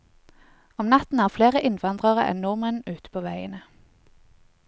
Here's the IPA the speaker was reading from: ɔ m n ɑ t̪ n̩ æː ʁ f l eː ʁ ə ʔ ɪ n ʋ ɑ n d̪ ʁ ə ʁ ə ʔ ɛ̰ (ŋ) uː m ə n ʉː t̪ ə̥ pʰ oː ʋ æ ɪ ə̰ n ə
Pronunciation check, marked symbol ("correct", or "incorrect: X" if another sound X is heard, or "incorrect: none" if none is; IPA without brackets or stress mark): incorrect: n